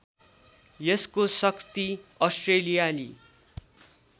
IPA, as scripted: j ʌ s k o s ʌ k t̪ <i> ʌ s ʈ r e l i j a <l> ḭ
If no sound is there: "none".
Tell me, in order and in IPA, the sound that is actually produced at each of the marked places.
i, l

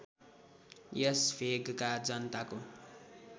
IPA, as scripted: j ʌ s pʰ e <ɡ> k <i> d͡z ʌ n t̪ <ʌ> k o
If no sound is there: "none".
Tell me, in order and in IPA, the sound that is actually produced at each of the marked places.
ɡ, a, a

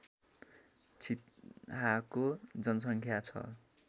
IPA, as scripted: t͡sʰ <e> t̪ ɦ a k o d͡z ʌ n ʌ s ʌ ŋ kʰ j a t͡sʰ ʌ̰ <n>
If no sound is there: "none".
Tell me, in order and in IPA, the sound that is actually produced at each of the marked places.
i, none

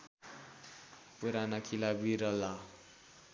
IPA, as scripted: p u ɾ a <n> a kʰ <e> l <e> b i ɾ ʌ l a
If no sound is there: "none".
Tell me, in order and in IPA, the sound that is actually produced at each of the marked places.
n, i, a

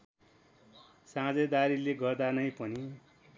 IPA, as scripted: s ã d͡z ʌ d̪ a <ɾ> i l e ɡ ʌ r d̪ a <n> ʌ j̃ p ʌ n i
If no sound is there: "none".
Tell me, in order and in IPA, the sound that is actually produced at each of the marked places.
ɾ, n

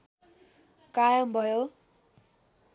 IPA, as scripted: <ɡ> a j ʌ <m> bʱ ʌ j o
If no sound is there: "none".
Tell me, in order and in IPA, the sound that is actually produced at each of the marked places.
k, m

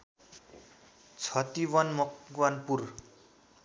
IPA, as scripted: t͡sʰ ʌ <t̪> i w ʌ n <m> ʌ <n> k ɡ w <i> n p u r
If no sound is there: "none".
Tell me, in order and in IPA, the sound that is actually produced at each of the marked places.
t̪, m, none, a

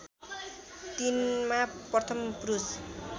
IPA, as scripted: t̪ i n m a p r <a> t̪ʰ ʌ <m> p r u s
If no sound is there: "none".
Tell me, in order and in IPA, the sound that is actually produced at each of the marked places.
ʌ, m

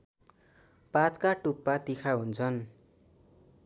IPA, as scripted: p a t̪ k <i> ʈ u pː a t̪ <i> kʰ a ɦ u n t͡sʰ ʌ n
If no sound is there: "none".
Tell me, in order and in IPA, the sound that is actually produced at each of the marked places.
a, i

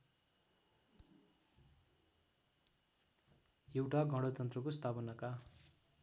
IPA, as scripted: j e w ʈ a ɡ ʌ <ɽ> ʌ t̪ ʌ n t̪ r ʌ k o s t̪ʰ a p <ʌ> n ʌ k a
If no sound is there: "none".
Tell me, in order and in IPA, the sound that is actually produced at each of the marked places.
ɽ, ʌ

